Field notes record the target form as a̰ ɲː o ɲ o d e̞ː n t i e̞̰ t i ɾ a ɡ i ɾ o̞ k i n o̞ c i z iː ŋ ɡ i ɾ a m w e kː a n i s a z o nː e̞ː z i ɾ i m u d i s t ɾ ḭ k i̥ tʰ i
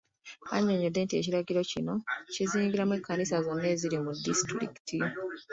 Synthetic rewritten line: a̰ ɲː o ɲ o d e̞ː n t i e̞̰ c i ɾ a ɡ i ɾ o̞ c i n o̞ c i z iː ŋ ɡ i ɾ a m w e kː a n i s a z o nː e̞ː z i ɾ i m u d i s t ɾ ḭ k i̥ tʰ i